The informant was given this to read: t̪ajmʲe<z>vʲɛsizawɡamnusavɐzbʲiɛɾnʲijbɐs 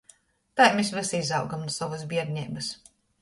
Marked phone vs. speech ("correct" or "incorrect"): incorrect